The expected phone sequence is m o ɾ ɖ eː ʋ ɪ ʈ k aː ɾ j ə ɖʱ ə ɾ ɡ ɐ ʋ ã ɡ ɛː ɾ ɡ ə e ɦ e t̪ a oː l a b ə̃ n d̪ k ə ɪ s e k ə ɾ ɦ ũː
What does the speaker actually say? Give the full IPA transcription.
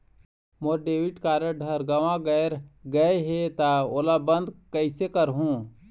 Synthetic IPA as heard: m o ɾ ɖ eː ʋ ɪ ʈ k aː ɾ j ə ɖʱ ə ɾ ɡ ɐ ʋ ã ɡ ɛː ɾ ɡ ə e ɦ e t̪ a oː l a b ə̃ n d̪ k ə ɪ s e k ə ɾ ɦ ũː